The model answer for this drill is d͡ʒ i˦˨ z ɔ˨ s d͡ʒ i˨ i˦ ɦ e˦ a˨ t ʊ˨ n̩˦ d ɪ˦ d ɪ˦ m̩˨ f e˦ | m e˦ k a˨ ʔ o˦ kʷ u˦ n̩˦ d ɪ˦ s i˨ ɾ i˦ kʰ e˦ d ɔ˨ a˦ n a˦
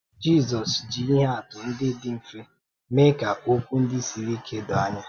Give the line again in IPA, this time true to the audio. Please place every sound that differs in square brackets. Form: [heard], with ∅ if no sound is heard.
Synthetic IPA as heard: d͡ʒ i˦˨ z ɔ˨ s d͡ʒ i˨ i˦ ɦ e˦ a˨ t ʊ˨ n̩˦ d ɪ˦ d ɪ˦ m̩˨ f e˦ | m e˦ k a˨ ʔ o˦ kʷ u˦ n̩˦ d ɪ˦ s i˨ ɾ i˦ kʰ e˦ d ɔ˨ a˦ [ɲ] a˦